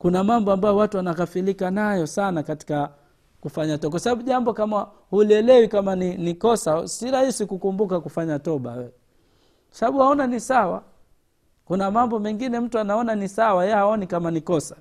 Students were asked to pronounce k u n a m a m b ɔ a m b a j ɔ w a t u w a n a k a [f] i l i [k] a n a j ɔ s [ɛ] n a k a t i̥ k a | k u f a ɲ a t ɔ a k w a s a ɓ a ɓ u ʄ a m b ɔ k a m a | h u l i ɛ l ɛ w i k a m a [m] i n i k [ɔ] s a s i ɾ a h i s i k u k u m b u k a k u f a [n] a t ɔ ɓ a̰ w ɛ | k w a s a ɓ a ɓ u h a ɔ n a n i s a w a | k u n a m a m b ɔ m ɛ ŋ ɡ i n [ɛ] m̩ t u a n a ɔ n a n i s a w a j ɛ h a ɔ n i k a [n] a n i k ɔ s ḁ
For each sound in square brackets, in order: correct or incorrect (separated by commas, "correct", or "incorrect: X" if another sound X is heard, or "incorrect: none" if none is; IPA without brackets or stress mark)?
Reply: correct, correct, incorrect: a, incorrect: n, correct, incorrect: ɲ, correct, incorrect: m